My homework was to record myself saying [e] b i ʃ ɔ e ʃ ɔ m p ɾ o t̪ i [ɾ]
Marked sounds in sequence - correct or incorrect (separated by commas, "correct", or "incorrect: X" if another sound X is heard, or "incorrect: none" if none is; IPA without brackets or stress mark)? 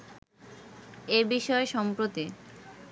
correct, incorrect: none